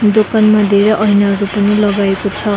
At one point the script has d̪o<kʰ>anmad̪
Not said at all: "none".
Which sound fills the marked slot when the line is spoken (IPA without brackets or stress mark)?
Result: k